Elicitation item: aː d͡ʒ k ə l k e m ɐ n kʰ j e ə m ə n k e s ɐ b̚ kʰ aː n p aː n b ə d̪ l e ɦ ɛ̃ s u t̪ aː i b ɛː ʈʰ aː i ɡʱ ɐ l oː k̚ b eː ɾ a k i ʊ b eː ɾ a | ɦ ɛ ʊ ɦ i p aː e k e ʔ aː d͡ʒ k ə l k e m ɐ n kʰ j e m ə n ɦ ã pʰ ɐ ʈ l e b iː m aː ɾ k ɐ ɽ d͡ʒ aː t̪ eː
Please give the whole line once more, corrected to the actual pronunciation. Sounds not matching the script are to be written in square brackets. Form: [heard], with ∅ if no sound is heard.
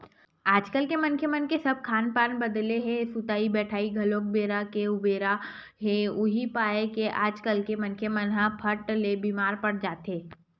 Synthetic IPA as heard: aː d͡ʒ k ə l k e m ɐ n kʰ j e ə m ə n k e s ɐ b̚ kʰ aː n p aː n b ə d̪ l e ɦ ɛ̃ s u t̪ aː i b ɛː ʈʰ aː i ɡʱ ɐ l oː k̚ b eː ɾ a k [e] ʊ b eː ɾ a | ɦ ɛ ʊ ɦ i p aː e k e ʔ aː d͡ʒ k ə l k e m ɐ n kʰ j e m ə n ɦ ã pʰ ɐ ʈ l e b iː m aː ɾ [p] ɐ ɽ d͡ʒ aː t̪ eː